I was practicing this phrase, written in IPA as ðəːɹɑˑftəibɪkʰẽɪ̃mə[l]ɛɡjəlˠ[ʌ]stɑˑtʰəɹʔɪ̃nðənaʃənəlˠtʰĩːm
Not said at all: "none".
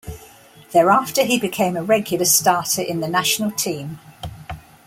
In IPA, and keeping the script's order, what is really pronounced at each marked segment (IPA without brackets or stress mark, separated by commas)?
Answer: ɹ, ə